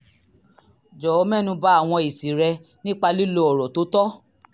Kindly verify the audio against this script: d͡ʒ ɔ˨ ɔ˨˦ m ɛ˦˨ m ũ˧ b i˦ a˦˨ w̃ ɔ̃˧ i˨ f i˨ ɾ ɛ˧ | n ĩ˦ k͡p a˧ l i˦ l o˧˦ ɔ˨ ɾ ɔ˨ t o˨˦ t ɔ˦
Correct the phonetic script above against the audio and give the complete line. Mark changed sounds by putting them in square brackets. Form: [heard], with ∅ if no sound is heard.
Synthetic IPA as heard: d͡ʒ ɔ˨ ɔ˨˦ m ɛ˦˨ [n] ũ˧ b [a˦] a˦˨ w̃ ɔ̃˧ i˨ [s] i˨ ɾ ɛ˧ | n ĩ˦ k͡p a˧ l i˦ l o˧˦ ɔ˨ ɾ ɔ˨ t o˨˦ t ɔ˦